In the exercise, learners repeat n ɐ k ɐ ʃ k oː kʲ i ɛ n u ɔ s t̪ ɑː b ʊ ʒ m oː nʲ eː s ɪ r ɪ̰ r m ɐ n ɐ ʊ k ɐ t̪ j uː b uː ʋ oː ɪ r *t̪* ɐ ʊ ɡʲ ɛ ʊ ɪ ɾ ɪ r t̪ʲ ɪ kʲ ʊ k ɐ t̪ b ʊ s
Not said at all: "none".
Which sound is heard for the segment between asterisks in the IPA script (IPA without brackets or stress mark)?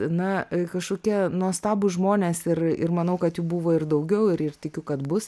d̪